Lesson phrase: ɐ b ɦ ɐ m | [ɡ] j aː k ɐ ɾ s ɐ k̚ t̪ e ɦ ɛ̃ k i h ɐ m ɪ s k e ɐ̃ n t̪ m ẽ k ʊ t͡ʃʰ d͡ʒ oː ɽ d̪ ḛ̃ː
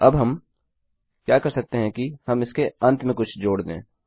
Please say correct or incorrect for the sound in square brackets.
incorrect